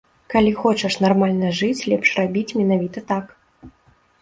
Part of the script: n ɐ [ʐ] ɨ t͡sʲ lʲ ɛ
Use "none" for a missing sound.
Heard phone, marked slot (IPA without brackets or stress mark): ʐ